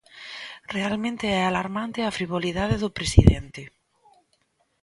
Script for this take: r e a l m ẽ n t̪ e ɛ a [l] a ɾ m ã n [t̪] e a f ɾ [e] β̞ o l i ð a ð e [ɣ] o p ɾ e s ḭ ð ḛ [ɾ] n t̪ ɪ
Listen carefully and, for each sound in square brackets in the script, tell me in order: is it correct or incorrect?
correct, correct, incorrect, incorrect, incorrect

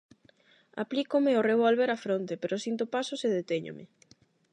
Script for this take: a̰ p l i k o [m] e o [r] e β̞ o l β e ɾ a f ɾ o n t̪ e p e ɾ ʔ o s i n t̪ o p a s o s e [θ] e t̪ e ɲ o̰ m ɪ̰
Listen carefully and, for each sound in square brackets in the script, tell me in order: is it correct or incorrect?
correct, correct, incorrect

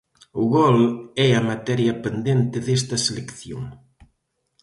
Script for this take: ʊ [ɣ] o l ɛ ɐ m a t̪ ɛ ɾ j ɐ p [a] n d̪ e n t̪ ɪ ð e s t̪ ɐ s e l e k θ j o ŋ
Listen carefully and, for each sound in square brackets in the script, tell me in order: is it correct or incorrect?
correct, incorrect

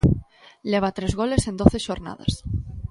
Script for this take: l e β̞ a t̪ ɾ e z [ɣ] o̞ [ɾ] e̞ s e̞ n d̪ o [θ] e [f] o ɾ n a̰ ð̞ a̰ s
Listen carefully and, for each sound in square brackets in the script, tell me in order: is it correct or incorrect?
correct, incorrect, correct, incorrect

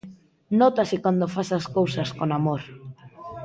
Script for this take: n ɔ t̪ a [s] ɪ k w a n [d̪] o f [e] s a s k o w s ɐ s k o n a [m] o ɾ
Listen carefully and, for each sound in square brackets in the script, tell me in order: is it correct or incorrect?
correct, correct, incorrect, correct

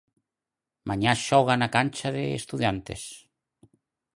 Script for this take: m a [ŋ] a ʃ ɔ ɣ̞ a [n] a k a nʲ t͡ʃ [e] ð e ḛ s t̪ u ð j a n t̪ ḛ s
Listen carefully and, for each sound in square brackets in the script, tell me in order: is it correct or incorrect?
incorrect, correct, incorrect

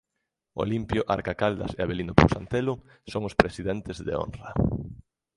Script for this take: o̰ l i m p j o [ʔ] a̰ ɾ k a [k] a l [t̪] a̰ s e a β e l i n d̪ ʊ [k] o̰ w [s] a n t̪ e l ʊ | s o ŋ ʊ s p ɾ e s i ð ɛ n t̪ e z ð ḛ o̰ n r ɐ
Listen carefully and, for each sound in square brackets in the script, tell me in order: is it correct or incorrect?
correct, correct, incorrect, incorrect, correct

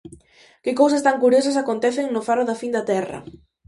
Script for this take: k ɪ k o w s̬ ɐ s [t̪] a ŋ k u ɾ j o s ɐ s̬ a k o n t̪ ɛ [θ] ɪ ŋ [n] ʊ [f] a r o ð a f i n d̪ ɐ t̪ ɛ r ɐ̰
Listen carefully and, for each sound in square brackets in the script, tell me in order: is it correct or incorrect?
correct, correct, correct, correct

